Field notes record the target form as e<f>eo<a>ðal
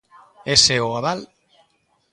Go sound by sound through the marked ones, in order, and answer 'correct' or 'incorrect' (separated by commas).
incorrect, correct